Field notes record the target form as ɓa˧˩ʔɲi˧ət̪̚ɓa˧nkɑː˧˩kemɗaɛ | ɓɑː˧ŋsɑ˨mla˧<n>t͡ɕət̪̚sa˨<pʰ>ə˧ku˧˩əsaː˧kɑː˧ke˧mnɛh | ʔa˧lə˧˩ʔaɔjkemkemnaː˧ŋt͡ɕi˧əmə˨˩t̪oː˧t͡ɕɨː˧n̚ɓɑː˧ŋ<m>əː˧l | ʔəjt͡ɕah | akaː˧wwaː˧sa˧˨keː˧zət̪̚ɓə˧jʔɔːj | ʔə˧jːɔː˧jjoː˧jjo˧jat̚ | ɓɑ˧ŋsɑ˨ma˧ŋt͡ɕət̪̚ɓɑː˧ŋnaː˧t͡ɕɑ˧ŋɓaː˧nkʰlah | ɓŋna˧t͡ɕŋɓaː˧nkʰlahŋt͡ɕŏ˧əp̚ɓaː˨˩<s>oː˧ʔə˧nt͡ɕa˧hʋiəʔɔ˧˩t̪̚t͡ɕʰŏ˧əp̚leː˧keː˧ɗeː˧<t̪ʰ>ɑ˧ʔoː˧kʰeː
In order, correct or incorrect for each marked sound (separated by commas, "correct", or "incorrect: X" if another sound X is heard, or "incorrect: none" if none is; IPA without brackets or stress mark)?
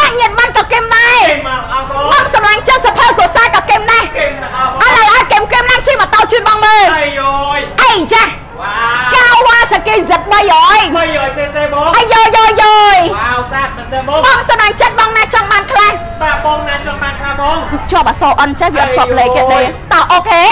incorrect: ŋ, correct, correct, correct, incorrect: t̪